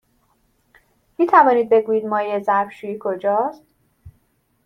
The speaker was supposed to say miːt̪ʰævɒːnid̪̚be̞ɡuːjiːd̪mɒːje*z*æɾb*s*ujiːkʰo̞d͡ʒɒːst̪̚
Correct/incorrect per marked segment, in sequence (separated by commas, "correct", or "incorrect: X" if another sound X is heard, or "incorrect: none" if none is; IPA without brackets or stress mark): correct, incorrect: ʃ